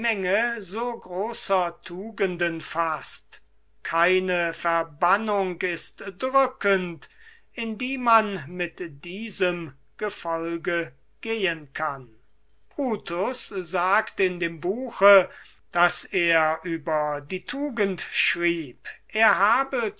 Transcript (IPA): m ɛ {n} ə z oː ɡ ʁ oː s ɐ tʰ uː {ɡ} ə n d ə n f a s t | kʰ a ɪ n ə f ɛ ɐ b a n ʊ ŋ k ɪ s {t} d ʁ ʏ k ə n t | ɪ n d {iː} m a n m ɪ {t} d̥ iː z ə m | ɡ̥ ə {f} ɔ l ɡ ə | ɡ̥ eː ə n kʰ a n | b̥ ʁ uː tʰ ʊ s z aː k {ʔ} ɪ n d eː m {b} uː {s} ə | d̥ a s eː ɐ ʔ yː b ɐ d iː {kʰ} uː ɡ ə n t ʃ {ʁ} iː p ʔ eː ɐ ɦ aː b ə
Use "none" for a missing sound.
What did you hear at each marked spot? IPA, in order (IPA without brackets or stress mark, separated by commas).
ŋ, ɡ, t, iː, t, f, t, b, x, tʰ, ʁ